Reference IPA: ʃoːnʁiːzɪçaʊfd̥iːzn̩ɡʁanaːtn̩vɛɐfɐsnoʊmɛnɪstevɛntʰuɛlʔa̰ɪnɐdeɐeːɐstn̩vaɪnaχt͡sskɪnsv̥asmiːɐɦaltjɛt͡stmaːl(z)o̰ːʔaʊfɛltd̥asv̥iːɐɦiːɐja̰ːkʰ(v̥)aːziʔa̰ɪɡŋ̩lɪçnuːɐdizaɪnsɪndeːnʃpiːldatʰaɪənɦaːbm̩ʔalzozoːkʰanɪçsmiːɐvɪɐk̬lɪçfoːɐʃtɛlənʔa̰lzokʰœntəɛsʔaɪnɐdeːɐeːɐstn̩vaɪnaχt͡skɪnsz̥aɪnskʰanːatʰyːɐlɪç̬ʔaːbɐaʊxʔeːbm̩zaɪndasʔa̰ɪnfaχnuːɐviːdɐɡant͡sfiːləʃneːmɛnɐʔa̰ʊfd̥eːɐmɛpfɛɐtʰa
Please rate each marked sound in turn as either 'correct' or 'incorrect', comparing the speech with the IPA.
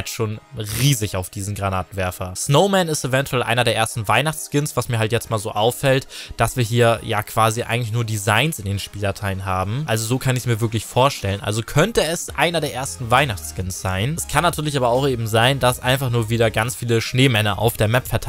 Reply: correct, correct

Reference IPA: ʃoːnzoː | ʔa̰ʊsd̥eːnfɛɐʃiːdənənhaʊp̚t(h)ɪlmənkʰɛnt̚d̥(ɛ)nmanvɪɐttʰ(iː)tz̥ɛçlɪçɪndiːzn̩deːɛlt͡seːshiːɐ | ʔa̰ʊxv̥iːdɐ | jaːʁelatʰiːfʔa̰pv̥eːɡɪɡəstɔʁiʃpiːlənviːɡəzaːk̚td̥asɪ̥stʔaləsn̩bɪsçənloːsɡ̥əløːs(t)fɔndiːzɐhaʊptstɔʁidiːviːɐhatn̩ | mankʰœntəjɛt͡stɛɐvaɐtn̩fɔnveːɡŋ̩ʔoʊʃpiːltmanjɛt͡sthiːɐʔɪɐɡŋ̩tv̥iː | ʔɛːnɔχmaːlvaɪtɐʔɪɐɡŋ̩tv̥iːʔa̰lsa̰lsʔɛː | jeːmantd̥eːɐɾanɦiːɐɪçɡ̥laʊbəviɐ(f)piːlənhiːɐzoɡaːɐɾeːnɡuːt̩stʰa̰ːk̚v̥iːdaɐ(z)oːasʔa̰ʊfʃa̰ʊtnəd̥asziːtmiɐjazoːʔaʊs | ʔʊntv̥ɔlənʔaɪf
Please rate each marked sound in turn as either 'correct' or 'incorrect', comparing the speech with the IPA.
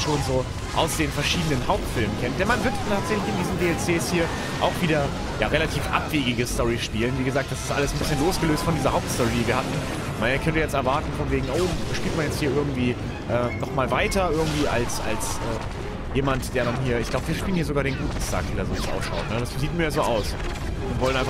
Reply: incorrect: f, correct, incorrect: aː, correct, incorrect: ʃ, correct

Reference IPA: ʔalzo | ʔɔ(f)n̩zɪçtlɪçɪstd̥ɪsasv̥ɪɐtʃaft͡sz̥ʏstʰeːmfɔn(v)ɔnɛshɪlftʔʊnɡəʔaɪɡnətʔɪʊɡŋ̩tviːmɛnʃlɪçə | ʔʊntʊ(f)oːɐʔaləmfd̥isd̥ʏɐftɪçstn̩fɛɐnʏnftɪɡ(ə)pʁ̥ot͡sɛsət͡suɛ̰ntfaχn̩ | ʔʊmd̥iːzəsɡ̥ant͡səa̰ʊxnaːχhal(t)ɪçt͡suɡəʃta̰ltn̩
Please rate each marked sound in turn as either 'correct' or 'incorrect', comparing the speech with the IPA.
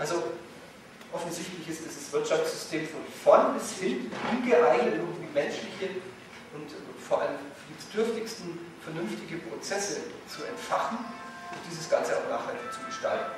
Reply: correct, incorrect: f, correct, correct, correct

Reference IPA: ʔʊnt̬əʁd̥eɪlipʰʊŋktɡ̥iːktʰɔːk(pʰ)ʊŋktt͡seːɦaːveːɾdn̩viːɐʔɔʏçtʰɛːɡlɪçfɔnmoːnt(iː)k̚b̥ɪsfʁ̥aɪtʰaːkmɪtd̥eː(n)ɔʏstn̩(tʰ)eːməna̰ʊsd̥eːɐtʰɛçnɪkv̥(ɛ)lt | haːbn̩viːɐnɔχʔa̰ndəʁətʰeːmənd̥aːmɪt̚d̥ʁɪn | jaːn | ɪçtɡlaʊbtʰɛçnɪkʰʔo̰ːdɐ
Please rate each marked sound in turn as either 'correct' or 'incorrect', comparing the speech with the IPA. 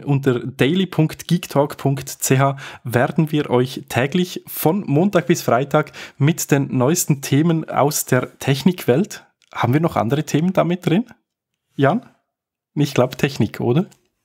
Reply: correct, incorrect: aː, incorrect: nː, correct, correct

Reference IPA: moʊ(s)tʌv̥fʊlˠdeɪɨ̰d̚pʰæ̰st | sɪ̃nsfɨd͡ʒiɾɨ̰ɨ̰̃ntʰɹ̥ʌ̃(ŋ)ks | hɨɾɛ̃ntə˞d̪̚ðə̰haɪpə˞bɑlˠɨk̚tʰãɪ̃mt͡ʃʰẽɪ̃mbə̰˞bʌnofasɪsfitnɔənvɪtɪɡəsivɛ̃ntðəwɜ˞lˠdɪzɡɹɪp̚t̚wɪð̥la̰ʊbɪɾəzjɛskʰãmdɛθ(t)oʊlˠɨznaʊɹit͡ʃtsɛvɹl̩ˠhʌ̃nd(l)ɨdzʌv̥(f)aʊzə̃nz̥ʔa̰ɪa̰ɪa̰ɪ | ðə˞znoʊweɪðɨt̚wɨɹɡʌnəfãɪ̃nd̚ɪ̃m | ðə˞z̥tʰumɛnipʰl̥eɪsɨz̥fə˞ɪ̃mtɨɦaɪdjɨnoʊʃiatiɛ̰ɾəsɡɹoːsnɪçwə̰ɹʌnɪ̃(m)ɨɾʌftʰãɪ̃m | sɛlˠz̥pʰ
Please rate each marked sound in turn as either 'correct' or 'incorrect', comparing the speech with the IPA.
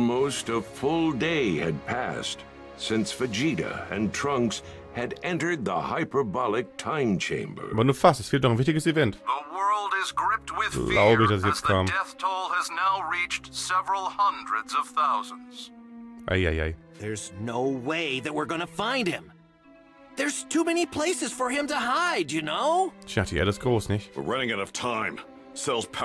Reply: correct, correct, incorrect: tʰ, incorrect: ɹ, incorrect: θ, incorrect: ŋ

